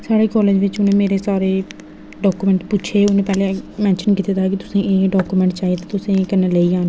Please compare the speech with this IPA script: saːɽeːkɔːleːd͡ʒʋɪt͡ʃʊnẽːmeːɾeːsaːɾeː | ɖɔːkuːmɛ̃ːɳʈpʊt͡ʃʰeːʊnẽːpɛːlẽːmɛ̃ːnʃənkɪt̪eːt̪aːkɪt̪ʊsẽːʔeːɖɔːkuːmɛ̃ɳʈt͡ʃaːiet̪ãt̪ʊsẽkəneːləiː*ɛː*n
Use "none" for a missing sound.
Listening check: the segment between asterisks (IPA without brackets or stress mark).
aː